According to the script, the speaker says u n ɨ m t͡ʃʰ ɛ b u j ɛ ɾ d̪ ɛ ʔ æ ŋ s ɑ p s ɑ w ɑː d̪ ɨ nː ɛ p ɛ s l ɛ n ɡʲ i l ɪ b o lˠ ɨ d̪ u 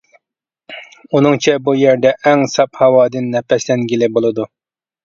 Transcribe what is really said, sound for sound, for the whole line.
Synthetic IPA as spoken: u n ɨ ŋ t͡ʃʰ ɛ b u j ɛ ɾ d̪ ɛ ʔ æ ŋ s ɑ p h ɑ w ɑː d̪ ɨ nː ɛ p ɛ s l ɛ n ɡʲ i l ɪ b o lˠ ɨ d̪ u